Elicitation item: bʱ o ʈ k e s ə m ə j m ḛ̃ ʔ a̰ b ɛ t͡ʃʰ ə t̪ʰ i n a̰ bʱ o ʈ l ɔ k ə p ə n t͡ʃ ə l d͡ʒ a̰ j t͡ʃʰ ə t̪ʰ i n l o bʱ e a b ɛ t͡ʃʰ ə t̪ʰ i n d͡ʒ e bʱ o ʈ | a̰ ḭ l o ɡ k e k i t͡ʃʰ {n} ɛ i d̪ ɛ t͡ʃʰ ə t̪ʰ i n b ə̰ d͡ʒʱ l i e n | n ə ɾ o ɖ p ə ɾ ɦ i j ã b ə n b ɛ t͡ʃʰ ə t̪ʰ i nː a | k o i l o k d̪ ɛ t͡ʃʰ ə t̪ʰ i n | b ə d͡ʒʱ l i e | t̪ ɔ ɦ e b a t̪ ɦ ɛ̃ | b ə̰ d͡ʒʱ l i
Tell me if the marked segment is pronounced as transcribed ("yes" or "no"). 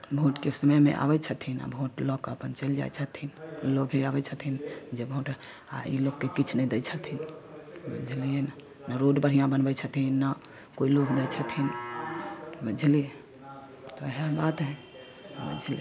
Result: yes